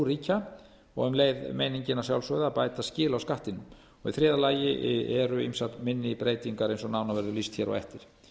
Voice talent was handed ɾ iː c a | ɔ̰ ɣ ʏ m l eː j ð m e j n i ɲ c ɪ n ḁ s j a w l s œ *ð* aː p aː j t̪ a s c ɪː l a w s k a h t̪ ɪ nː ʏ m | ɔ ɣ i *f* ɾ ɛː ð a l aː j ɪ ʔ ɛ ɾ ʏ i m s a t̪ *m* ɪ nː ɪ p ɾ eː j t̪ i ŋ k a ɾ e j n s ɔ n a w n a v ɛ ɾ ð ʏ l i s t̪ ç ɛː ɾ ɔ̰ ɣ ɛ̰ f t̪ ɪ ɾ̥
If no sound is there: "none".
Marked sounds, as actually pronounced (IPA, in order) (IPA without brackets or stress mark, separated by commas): ð, θ, m